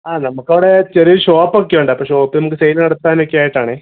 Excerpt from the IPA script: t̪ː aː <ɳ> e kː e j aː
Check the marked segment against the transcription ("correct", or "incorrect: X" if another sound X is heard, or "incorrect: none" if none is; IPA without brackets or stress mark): incorrect: n